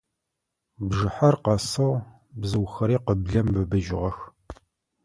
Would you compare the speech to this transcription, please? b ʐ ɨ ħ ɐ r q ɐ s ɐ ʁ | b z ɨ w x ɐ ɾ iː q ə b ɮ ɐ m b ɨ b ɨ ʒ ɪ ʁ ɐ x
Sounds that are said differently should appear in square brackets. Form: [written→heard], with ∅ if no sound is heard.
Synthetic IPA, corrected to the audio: b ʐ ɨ ħ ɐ r q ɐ s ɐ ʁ | b z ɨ w x ɐ ɾ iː q ə b ɮ ɐ m b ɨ b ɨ ʒ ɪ ʁ ɐ x